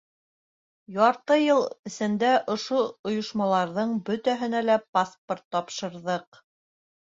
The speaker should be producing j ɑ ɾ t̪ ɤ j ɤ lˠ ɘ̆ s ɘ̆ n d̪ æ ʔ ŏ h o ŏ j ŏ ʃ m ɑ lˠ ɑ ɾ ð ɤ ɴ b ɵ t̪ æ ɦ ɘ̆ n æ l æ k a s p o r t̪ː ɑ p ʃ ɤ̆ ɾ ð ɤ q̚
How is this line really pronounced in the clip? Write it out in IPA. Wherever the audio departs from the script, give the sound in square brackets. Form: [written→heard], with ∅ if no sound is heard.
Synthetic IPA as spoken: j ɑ ɾ t̪ ɤ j ɤ lˠ ɘ̆ s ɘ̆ n d̪ æ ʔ ŏ [h→ʃ] o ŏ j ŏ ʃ m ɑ lˠ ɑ ɾ ð ɤ ɴ b ɵ t̪ æ ɦ ɘ̆ n æ l æ [k→p] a s p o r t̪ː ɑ p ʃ ɤ̆ ɾ ð ɤ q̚